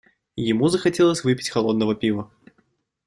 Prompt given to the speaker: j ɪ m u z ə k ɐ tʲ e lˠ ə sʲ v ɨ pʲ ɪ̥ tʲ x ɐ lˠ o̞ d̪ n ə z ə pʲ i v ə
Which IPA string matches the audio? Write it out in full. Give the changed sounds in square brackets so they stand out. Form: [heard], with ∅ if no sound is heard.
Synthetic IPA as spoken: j ɪ m u z ə [x] ɐ tʲ e lˠ ə sʲ v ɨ pʲ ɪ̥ tʲ x ɐ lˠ o̞ d̪ n ə [v] ə pʲ i v ə